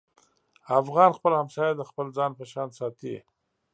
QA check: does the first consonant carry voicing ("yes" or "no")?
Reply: no